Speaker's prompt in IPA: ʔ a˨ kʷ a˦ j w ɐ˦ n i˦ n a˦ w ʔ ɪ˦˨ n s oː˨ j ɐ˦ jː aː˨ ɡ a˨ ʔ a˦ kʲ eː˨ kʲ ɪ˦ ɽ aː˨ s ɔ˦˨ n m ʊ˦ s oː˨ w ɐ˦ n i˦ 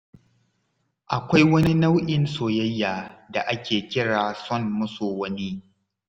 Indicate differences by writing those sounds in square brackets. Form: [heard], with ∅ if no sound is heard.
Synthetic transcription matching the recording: ʔ a˨ kʷ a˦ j w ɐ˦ n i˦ n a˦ w ʔ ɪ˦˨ n s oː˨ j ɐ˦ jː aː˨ [d] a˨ ʔ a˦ kʲ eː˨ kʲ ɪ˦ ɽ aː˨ s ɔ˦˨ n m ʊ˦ s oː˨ w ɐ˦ n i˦